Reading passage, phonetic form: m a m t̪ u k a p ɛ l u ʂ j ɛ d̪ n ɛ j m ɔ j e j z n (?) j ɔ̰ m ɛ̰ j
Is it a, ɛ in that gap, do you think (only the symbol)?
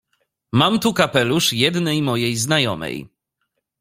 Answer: a